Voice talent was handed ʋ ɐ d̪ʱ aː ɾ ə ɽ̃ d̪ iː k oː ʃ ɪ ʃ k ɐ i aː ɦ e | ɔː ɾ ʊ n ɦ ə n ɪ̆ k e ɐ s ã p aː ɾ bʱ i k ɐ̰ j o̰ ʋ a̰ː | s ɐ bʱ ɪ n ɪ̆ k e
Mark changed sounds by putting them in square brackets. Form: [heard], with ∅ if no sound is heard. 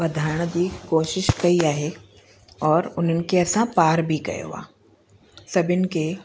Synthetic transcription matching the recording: ʋ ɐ d̪ʱ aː ɾ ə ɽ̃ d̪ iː k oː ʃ ɪ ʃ k ɐ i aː ɦ e | ɔː ɾ ʊ n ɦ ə n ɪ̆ k e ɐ s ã p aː ɾ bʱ i k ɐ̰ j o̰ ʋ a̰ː | s ɐ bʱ ɪ n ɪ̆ k e